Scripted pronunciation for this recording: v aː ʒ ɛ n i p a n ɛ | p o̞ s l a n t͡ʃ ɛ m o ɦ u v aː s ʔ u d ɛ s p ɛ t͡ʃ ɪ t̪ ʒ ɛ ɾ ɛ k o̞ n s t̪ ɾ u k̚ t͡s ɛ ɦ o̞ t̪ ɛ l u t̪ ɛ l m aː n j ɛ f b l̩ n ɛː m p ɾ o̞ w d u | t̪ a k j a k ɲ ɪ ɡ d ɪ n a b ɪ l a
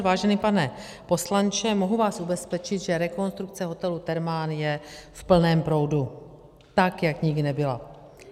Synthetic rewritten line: v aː ʒ ɛ n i p a n ɛ | p o̞ s l a n t͡ʃ ɛ m o ɦ u v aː s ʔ u b ɛ s p ɛ t͡ʃ ɪ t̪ ʒ ɛ ɾ ɛ k o̞ n s t̪ ɾ u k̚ t͡s ɛ ɦ o̞ t̪ ɛ l u t̪ ɛ ɾ m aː n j ɛ f p l̩ n ɛː m p ɾ o̞ w d u | t̪ a k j a k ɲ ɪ ɡ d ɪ n ɛ b ɪ l a

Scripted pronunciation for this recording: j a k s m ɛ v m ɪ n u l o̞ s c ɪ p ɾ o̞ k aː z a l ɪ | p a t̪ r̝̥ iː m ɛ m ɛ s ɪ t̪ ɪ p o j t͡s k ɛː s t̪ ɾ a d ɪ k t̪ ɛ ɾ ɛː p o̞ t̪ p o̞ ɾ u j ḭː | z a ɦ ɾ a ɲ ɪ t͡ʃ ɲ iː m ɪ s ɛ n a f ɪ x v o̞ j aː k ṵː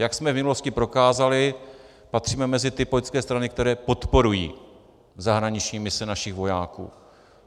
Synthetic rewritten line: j a k s m ɛ v m ɪ n u l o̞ s c ɪ p ɾ o̞ k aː z a l ɪ | p a t̪ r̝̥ iː m ɛ m ɛ z ɪ t̪ ɪ p o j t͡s k ɛː s t̪ ɾ a n ɪ k t̪ ɛ ɾ ɛː p o̞ t̪ p o̞ ɾ u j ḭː | z a ɦ ɾ a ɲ ɪ t͡ʃ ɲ iː m ɪ s ɛ n a ʃ ɪ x v o̞ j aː k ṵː

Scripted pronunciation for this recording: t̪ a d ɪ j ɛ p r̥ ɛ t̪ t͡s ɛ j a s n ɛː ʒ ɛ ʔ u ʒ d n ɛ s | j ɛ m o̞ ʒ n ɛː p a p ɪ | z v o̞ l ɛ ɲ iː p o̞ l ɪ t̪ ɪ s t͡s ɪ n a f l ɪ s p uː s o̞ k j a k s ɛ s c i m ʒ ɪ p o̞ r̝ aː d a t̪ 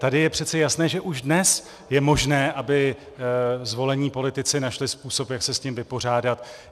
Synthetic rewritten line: t̪ a d ɪ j ɛ p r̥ ɛ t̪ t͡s ɛ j a s n ɛː ʒ ɛ ʔ u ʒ d n ɛ s | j ɛ m o̞ ʒ n ɛː ʔ a b ɪ | z v o̞ l ɛ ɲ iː p o̞ l ɪ t̪ ɪ t͡s ɪ n a ʃ l ɪ s p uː s o̞ p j a k s ɛ s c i m v ɪ p o̞ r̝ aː d a t̪

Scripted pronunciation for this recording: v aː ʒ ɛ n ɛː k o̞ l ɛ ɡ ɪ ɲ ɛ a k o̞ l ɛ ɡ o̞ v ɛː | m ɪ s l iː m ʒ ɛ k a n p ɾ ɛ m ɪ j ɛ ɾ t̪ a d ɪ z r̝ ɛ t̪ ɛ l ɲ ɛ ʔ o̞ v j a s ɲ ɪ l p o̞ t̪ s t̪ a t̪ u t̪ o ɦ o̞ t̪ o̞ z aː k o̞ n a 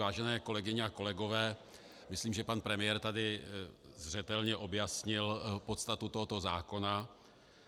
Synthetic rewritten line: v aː ʒ ɛ n ɛː k o̞ l ɛ ɡ ɪ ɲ ɛ a k o̞ l ɛ ɡ o̞ v ɛː | m ɪ s l iː m ʒ ɛ p a n p ɾ ɛ m ɪ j ɛ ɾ t̪ a d ɪ z r̝ ɛ t̪ ɛ l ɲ ɛ ʔ o̞ b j a s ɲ ɪ l p o̞ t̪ s t̪ a t̪ u t̪ o ɦ o̞ t̪ o̞ z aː k o̞ n a

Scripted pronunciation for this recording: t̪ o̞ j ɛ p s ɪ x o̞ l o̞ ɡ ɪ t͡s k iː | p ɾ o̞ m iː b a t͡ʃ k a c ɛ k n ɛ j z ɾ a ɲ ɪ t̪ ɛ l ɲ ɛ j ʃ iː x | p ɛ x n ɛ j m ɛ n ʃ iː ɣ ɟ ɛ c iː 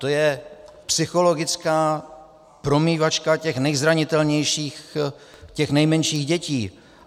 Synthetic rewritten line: t̪ o̞ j ɛ p s ɪ x o̞ l o̞ ɡ ɪ t͡s k aː | p ɾ o̞ m iː v a t͡ʃ k a c ɛ x n ɛ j z ɾ a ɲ ɪ t̪ ɛ l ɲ ɛ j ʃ iː x | c ɛ x n ɛ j m ɛ n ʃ iː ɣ ɟ ɛ c iː

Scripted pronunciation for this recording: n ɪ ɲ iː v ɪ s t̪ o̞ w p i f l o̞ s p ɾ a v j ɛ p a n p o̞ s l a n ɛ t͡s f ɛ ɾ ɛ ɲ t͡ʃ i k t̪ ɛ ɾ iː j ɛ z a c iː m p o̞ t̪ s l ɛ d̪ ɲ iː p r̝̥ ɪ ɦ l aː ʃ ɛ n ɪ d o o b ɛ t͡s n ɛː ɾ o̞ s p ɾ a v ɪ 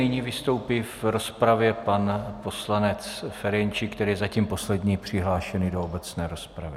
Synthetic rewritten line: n ɪ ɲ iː v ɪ s t̪ o̞ w p i f ɾ o̞ s p ɾ a v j ɛ p a n p o̞ s l a n ɛ t͡s f ɛ ɾ ɛ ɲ t͡ʃ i k t̪ ɛ ɾ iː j ɛ z a c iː m p o̞ s l ɛ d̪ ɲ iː p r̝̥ ɪ ɦ l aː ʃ ɛ n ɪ d o o b ɛ t͡s n ɛː ɾ o̞ s p ɾ a v ɪ

